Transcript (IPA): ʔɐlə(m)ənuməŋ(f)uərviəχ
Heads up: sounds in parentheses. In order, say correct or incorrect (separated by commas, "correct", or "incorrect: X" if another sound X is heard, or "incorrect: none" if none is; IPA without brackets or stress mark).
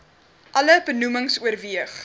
incorrect: b, incorrect: s